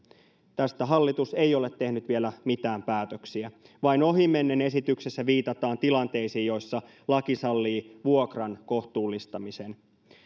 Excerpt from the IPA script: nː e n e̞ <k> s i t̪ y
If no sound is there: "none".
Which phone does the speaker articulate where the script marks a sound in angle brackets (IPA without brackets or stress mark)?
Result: none